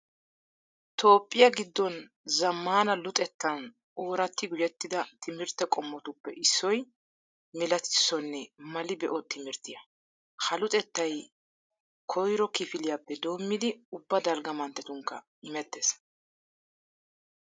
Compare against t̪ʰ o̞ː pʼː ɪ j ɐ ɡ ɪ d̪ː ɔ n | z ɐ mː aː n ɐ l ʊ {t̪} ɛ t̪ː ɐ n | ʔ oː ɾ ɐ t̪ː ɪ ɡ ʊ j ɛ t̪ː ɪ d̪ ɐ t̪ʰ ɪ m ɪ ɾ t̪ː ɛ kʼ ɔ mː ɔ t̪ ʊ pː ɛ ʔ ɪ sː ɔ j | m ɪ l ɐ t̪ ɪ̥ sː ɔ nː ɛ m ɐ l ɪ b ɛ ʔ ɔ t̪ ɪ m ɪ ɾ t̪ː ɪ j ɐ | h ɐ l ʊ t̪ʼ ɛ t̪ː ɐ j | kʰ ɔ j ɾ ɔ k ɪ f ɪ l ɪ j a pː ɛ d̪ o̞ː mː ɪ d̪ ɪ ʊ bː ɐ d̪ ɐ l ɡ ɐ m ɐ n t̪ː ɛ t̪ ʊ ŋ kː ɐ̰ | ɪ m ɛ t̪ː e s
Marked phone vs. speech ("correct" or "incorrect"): incorrect